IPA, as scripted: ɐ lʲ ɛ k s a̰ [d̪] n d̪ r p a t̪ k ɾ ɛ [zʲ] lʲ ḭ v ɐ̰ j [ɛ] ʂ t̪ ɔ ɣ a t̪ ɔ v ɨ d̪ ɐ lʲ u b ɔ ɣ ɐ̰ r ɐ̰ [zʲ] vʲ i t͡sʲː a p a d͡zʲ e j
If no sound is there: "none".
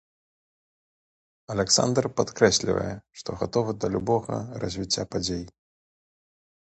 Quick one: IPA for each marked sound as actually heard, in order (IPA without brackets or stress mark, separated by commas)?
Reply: none, sʲ, ɛ, zʲ